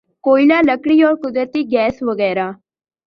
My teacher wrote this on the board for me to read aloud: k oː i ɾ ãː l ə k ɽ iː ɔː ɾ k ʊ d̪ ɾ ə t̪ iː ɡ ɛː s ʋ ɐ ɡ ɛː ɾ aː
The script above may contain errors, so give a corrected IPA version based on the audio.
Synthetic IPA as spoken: k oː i l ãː l ə k ɽ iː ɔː ɾ k ʊ d̪ ɾ ə t̪ iː ɡ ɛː s ʋ ə ɡ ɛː ɾ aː